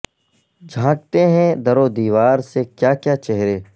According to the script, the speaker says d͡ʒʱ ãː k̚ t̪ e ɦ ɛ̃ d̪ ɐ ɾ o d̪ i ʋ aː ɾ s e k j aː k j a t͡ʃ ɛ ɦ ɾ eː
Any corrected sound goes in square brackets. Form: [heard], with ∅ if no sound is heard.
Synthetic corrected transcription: d͡ʒʱ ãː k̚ t̪ e ɦ ɛ̃ d̪ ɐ ɾ o d̪ [iː] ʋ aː ɾ s e k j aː k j a t͡ʃ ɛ ɦ ɾ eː

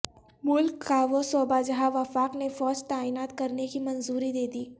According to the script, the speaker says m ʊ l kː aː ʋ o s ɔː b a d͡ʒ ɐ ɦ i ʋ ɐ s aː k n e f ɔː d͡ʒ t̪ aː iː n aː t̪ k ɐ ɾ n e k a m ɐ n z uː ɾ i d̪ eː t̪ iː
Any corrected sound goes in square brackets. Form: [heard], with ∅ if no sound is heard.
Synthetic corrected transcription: m ʊ l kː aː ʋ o s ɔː b a d͡ʒ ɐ ɦ [a] ʋ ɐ [f] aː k n e f ɔː d͡ʒ t̪ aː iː n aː t̪ k ɐ ɾ n e k [i] m ɐ n z uː ɾ i d̪ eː [d̪] iː

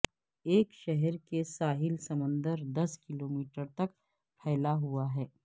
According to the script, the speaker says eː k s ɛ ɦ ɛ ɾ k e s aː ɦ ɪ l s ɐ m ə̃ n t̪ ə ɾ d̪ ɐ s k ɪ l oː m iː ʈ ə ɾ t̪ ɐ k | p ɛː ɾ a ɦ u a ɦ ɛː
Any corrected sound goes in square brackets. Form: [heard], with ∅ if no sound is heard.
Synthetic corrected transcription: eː k [ʃ] ɛ ɦ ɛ ɾ k e s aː ɦ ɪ l s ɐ m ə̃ n [d̪] ə ɾ d̪ ɐ s k ɪ l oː m iː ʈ ə ɾ t̪ ɐ k | [pʰ] ɛː [l] a ɦ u a ɦ ɛː

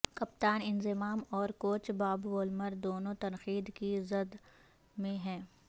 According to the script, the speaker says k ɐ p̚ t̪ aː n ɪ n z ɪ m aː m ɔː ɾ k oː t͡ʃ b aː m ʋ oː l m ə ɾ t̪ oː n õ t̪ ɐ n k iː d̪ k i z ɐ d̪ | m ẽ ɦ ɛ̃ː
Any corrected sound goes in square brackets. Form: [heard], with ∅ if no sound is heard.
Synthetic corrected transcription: k ɐ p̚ t̪ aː n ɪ n z ɪ m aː m ɔː ɾ k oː t͡ʃ b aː [b] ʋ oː l m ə ɾ [d̪] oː n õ t̪ ɐ n [x] iː d̪ k i z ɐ d̪ | m ẽ ɦ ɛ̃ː

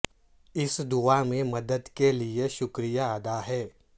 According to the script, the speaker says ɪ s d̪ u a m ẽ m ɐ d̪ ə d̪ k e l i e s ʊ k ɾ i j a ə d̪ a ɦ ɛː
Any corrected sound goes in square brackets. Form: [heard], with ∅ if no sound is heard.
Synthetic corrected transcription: ɪ s d̪ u a m ẽ m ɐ d̪ ə d̪ k e l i e [ʃ] ʊ k ɾ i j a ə d̪ a ɦ ɛː

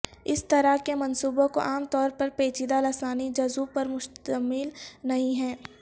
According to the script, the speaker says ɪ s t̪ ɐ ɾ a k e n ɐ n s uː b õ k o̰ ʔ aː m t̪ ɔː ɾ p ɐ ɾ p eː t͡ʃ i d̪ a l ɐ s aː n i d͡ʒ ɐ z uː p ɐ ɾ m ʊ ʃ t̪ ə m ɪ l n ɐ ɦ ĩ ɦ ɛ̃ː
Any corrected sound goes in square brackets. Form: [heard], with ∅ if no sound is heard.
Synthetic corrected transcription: ɪ s t̪ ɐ ɾ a k e [m] ɐ n s uː b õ k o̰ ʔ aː m t̪ ɔː ɾ p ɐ ɾ p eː t͡ʃ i d̪ a l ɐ s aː n i d͡ʒ ɐ z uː p ɐ ɾ m ʊ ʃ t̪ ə m ɪ l n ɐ ɦ ĩ ɦ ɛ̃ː

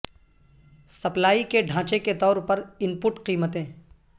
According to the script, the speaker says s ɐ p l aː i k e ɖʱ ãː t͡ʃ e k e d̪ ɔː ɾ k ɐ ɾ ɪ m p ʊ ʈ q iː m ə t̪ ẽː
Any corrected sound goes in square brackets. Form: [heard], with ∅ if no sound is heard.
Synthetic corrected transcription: s ɐ p l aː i k e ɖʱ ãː t͡ʃ e k e [t̪] ɔː ɾ [p] ɐ ɾ ɪ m p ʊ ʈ q iː m ə t̪ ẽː

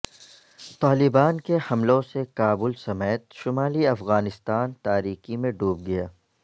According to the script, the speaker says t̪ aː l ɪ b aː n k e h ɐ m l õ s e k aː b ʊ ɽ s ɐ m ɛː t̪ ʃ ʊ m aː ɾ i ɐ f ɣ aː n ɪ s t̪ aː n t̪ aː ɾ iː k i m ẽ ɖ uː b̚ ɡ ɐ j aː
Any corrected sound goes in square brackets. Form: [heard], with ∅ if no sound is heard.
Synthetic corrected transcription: t̪ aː l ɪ b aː n k e h ɐ m l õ s e k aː b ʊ [l] s ɐ m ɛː t̪ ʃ ʊ m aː [l] i ɐ f ɣ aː n ɪ s t̪ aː n t̪ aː ɾ iː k i m ẽ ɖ uː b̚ ɡ ɐ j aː

